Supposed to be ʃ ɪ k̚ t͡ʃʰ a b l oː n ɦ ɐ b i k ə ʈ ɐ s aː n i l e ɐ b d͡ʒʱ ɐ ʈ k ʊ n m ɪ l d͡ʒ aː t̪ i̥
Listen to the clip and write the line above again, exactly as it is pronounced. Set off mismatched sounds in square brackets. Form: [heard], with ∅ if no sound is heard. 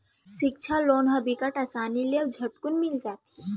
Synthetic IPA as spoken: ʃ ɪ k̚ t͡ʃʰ a [∅] l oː n ɦ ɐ b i k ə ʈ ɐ s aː n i l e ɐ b d͡ʒʱ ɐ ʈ k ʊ n m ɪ l d͡ʒ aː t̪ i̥